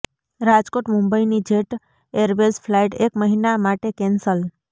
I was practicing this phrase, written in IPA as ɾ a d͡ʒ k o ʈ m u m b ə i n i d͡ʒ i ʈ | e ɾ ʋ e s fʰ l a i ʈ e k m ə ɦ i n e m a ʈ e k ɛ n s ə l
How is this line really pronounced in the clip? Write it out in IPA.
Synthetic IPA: ɾ a d͡ʒ k o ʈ m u m b ə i n i d͡ʒ e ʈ | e ɾ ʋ e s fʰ l a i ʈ e k m ə ɦ i n a m a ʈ e k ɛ n s ə l